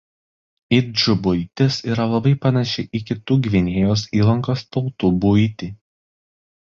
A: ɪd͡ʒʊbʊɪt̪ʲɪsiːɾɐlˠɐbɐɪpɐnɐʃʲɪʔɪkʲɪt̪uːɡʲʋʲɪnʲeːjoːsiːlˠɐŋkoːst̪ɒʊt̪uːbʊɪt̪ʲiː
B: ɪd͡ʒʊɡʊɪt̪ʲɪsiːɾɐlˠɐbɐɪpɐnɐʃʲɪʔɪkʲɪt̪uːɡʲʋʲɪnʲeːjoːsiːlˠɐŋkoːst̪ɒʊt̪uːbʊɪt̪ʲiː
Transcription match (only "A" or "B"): A